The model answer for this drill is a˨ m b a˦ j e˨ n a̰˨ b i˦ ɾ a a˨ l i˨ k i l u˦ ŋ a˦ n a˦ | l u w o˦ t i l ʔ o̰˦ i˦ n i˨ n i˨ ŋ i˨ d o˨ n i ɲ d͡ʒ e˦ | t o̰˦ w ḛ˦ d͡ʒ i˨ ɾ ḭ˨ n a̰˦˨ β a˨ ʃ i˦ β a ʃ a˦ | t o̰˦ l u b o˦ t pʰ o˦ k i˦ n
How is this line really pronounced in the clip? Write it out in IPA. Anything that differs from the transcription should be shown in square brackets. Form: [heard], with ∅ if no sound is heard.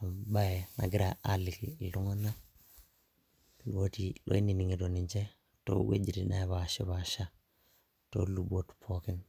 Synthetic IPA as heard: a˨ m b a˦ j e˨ n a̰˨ [ɡ] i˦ ɾ a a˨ l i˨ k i l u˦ ŋ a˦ n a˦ | l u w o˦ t i l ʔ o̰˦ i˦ n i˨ n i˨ ŋ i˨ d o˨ n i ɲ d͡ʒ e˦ | t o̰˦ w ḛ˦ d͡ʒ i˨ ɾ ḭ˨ n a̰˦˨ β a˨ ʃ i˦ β a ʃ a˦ | t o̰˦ l u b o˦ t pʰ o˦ k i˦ n

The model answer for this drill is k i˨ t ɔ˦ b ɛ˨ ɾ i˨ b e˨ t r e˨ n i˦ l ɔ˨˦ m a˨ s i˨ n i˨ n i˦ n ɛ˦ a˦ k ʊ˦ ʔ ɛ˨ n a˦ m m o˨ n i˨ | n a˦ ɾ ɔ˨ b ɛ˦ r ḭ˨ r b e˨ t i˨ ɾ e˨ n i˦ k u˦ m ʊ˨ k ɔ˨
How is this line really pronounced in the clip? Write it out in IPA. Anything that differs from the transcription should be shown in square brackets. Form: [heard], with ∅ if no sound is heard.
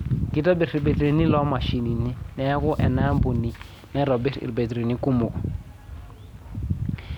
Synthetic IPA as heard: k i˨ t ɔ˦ b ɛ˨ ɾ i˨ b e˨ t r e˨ n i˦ l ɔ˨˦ m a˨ [ʃ] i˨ n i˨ n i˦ n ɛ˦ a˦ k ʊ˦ ʔ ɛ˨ n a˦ m [b] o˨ n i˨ | n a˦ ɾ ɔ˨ b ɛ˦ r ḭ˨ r b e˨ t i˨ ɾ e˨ n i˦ k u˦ m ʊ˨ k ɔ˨

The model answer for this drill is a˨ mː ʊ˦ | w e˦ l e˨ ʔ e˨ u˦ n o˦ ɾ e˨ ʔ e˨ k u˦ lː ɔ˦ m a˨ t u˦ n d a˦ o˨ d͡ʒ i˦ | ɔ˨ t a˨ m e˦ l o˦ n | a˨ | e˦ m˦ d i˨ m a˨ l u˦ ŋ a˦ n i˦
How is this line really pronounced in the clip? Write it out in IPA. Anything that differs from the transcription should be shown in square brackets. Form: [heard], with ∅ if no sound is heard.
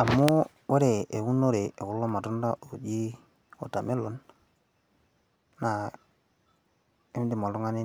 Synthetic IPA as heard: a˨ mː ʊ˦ | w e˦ [ɾ] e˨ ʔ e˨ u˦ n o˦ ɾ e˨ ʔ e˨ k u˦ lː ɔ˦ m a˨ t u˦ n d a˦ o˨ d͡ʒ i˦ | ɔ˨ t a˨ m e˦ l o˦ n | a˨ | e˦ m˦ d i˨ m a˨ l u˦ ŋ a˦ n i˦

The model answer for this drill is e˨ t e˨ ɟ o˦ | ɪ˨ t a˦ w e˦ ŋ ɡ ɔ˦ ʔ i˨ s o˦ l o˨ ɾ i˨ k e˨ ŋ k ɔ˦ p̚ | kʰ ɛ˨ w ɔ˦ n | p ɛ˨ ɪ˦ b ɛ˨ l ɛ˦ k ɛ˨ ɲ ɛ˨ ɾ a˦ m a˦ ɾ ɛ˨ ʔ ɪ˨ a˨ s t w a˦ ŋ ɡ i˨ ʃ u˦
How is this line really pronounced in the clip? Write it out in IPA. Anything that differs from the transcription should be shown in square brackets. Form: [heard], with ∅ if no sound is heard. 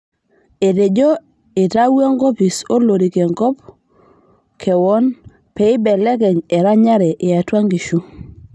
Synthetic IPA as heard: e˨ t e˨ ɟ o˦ | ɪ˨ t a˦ w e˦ ŋ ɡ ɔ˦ [p] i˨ s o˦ l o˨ ɾ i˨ k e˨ ŋ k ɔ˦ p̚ | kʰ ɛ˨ w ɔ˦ n | p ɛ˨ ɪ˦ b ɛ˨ l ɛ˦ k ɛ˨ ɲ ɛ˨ ɾ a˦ [ɲ] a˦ ɾ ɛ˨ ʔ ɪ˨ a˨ [∅] t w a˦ ŋ ɡ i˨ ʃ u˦

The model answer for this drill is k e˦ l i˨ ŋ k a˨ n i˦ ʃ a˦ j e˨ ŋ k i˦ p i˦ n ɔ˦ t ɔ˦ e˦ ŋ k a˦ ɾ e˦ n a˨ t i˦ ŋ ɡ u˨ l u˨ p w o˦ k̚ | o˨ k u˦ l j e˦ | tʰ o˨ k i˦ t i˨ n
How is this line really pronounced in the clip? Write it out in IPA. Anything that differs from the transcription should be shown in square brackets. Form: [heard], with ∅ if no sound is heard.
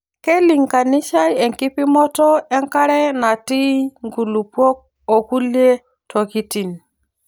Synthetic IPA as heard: k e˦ l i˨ ŋ k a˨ n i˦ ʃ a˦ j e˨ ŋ k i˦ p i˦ [m] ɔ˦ t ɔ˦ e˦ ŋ k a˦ ɾ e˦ n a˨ t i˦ ŋ ɡ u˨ l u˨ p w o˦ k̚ | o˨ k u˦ l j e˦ | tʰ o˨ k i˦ t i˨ n

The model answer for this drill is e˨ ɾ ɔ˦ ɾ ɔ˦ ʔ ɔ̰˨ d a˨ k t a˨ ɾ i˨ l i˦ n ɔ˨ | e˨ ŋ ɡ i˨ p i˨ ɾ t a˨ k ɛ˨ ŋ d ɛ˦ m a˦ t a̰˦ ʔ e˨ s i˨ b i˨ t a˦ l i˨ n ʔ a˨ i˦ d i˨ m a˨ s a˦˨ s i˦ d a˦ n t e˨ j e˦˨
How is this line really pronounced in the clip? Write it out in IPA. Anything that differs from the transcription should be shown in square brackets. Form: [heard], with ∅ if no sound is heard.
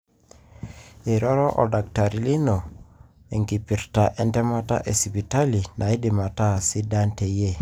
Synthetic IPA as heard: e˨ ɾ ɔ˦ ɾ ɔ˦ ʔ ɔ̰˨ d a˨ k t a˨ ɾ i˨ l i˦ n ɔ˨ | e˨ ŋ ɡ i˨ p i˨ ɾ t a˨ [ʔ] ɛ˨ [n] d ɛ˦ m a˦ t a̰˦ ʔ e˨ s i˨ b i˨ t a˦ l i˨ n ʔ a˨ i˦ d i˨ m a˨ [t] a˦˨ s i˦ d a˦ n t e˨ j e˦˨

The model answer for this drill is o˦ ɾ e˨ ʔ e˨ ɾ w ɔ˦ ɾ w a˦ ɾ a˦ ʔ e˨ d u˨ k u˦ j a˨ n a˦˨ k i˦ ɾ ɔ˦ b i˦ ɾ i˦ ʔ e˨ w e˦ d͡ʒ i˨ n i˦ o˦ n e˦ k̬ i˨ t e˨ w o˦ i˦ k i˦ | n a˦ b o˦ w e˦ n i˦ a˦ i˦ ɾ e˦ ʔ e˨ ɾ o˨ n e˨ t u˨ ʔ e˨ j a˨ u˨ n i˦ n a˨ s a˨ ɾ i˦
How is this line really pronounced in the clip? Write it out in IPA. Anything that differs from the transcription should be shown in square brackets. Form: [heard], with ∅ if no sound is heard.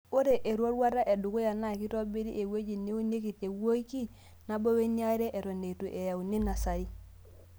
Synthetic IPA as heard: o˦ ɾ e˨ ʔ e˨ ɾ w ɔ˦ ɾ w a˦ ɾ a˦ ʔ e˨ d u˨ k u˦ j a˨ n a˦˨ k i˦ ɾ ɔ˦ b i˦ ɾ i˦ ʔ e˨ w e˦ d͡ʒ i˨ n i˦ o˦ n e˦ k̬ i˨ t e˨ w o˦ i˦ k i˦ | n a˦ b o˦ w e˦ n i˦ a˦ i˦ ɾ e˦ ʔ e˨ ɾ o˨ n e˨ t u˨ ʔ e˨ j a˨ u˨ n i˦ n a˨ s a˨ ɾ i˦

